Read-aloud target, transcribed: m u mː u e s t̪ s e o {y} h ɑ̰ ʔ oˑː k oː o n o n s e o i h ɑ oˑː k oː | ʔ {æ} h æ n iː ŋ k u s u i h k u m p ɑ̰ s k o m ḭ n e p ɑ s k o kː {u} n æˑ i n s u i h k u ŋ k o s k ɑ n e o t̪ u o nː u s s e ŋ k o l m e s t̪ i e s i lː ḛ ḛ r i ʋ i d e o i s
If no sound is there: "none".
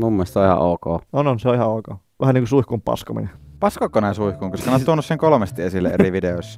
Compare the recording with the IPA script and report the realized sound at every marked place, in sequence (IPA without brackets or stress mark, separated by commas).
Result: i, æ, o